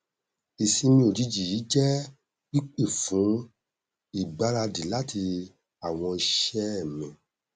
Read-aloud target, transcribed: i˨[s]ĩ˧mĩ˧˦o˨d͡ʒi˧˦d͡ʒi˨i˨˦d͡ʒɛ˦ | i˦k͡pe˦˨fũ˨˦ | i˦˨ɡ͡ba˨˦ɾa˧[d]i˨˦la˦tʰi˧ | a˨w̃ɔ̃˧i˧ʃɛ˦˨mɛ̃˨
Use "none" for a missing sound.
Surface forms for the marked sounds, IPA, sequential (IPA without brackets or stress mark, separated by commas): s, d